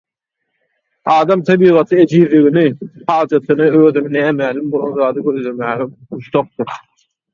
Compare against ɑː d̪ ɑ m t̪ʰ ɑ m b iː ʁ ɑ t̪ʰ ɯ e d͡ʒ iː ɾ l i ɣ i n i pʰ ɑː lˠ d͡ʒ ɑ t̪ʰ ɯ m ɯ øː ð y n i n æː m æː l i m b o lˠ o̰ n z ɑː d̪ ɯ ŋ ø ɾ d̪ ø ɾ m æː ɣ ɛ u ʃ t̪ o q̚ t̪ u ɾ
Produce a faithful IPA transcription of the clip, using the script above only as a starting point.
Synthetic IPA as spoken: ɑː d̪ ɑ m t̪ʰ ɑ b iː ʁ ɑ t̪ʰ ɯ e d͡ʒ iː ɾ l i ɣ i n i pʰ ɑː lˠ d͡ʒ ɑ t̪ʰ ɯ n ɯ øː ð y n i n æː m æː l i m b o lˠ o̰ n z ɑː d̪ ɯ ɡ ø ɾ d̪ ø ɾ m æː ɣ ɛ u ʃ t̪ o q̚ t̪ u ɾ